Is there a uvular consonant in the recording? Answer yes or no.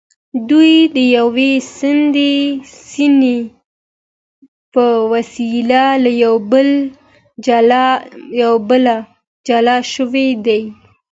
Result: no